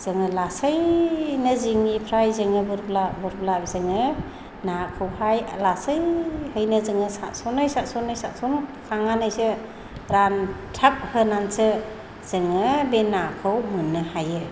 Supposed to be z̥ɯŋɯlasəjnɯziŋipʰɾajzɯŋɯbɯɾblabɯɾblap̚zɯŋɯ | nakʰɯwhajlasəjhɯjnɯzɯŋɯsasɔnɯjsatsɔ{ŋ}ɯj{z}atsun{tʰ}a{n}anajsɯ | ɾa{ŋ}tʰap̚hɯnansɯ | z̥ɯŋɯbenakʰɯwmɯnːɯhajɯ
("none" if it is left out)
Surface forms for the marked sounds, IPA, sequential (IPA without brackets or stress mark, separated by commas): n, s, kʰ, ŋ, n